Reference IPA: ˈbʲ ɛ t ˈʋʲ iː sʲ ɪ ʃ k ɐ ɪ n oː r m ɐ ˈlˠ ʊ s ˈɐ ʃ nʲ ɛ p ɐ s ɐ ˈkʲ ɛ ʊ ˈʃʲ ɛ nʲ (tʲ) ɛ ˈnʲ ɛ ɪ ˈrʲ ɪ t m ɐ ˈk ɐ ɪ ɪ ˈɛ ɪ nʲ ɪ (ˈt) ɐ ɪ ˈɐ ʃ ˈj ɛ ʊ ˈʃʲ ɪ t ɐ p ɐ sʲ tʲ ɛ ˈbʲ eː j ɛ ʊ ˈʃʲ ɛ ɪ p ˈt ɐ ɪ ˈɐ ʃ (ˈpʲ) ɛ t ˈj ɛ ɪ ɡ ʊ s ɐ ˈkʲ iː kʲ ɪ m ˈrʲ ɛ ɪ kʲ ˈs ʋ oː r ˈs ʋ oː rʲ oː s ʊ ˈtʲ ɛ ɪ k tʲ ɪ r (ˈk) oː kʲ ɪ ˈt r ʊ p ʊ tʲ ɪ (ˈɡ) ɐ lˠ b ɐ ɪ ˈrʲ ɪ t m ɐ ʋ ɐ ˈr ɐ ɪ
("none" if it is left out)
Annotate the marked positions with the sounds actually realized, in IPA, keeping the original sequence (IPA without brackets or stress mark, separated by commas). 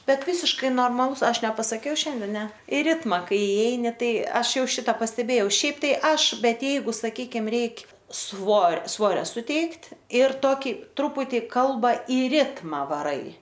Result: dʲ, t, bʲ, t, k